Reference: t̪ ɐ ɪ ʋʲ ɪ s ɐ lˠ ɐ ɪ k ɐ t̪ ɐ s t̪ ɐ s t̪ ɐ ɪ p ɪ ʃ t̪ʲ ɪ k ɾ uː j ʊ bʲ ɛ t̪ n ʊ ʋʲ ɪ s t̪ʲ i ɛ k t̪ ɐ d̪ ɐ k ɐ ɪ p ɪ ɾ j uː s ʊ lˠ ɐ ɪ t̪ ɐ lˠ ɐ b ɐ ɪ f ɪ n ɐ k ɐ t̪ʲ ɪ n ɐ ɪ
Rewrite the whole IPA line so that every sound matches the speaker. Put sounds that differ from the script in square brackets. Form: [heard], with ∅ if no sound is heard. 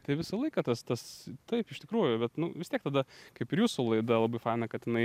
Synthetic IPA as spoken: t̪ ɐ ɪ ʋʲ ɪ s ɐ lˠ ɐ ɪ k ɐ t̪ ɐ s t̪ ɐ s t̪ ɐ ɪ p ɪ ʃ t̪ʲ ɪ k ɾ uː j ʊ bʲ ɛ t̪ n ʊ ʋʲ ɪ s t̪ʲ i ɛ k t̪ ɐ d̪ ɐ k ɐ ɪ p ɪ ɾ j uː s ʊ lˠ ɐ ɪ [d̪] ɐ lˠ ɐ b ɐ ɪ f ɪ n ɐ k ɐ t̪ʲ ɪ n ɐ ɪ